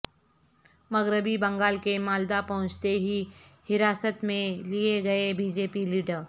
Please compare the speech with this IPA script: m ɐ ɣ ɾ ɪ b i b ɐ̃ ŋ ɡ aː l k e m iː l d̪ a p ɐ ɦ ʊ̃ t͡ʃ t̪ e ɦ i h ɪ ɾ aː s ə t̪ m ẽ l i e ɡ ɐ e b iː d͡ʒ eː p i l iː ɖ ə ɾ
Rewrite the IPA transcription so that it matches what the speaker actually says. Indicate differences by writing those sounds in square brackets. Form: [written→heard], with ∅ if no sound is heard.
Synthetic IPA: m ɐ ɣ ɾ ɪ b i b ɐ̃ ŋ ɡ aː l k e m [iː→aː] l d̪ a p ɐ ɦ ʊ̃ t͡ʃ t̪ e ɦ i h ɪ ɾ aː s ə t̪ m ẽ l i e ɡ ɐ e b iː d͡ʒ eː p i l iː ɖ ə ɾ